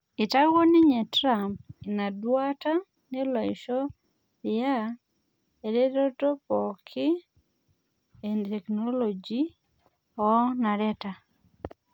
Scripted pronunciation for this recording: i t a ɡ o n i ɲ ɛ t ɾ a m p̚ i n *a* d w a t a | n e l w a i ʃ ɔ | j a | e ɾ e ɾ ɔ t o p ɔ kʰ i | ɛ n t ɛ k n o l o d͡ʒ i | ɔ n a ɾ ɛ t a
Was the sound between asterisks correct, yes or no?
yes